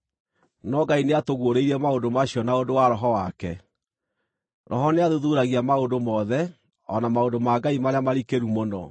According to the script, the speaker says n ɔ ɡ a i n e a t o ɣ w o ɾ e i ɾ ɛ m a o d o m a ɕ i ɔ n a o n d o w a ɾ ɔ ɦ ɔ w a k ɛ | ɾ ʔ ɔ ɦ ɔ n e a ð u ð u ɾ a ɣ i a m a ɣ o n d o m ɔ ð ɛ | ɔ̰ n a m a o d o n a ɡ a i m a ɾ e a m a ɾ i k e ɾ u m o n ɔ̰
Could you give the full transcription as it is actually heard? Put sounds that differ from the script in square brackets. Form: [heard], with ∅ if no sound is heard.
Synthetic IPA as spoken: n ɔ ɡ a i n e a t o ɣ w o ɾ e i ɾ ɛ m a o d o m a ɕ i ɔ n a o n d o w a ɾ ɔ ɦ ɔ w a k ɛ | ɾ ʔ ɔ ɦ ɔ n e a ð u ð u ɾ a ɣ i a m a [∅] o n d o m ɔ ð ɛ | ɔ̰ n a m a o d o [m] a ɡ a i m a ɾ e a m a ɾ i k e ɾ u m o n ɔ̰